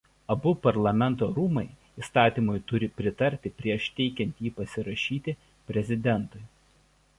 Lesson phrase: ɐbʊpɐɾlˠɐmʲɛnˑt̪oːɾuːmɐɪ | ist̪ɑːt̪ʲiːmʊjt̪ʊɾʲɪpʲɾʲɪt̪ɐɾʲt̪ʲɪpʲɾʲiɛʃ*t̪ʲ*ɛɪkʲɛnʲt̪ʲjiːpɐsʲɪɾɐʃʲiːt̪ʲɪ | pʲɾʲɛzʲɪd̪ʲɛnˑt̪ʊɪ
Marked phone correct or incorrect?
correct